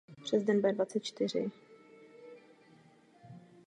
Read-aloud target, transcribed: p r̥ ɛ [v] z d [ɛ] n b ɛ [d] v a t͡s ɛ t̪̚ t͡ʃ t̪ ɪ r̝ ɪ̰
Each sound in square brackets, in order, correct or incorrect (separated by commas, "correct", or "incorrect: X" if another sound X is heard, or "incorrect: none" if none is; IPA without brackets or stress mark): incorrect: none, correct, correct